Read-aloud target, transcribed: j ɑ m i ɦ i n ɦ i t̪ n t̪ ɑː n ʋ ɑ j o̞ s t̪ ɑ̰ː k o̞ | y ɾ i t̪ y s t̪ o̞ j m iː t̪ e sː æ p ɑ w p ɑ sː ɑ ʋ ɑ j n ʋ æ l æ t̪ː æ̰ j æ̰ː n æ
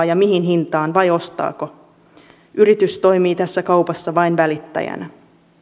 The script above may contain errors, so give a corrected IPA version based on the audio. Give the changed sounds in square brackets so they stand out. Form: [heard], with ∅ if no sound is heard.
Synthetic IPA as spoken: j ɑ m i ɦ i n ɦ i [∅] n t̪ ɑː n ʋ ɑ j o̞ s t̪ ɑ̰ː k o̞ | y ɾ i t̪ y s t̪ o̞ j m iː t̪ [æ] sː æ [k] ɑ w p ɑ sː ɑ ʋ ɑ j n ʋ æ l [i] t̪ː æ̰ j [æ̰] n æ